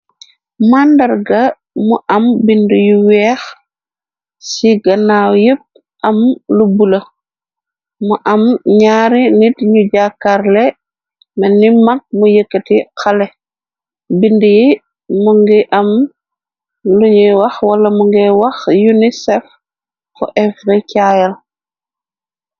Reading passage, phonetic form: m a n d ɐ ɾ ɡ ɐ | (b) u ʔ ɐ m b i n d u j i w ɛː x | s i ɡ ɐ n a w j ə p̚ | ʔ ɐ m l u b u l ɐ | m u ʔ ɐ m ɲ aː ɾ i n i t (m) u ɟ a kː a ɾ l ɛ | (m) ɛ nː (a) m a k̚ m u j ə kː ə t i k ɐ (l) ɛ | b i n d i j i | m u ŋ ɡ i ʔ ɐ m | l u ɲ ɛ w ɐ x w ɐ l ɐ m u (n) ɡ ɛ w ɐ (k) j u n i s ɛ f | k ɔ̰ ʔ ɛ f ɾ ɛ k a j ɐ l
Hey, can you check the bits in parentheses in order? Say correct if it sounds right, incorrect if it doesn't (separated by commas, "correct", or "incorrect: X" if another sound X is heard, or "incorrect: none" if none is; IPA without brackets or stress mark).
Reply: incorrect: m, incorrect: ɲ, correct, incorrect: i, correct, incorrect: ŋ, incorrect: x